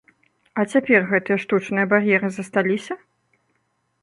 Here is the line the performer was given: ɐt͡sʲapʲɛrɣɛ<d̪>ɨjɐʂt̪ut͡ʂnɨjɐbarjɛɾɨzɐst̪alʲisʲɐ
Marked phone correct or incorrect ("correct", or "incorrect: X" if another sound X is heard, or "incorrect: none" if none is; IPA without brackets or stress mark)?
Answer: incorrect: t̪